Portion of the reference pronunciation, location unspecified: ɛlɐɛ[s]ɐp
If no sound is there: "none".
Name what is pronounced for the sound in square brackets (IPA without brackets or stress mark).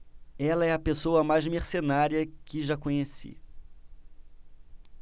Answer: none